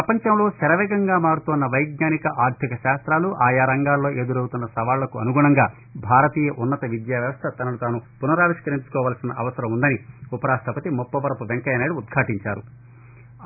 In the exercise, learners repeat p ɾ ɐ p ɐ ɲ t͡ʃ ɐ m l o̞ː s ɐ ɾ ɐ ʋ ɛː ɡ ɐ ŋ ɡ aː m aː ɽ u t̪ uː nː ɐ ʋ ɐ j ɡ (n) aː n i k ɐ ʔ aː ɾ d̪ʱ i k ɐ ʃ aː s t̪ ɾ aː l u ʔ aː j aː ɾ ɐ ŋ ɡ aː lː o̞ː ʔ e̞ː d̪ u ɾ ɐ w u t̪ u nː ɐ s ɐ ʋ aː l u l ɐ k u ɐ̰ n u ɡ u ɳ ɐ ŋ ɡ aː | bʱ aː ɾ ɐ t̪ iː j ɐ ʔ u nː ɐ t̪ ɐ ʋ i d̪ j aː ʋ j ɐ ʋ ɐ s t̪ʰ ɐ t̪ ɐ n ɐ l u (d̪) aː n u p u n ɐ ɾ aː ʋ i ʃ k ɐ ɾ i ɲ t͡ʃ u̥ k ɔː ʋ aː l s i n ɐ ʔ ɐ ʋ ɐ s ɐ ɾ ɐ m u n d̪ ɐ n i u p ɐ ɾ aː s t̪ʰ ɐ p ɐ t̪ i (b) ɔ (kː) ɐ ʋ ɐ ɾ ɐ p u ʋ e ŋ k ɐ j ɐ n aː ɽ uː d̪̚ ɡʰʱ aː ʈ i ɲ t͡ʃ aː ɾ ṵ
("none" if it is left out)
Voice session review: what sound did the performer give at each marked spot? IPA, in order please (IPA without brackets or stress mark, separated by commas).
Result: ɲ, t̪, m, pː